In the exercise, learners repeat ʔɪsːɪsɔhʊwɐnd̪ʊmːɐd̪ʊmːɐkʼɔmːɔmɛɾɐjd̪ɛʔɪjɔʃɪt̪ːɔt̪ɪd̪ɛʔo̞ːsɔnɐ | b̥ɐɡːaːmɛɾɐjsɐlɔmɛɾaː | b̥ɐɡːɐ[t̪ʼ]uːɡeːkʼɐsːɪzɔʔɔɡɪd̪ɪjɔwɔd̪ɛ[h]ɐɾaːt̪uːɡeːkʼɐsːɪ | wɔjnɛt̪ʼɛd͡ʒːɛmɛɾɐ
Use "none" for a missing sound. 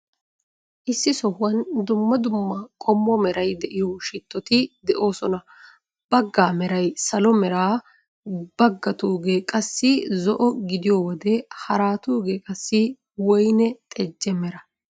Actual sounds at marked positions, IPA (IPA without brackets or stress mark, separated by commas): t̪, h